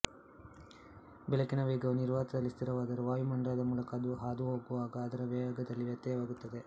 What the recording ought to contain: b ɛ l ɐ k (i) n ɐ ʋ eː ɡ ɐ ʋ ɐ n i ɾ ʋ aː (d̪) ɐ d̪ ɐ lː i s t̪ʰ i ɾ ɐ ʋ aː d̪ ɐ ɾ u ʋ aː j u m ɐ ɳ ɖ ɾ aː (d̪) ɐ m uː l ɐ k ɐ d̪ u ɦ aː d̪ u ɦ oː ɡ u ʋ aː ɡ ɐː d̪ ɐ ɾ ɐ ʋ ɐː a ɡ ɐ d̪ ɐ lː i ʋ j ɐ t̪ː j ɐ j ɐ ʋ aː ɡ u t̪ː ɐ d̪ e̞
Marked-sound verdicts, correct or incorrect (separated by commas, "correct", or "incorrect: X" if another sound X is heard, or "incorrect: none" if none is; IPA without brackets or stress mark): correct, incorrect: t̪, correct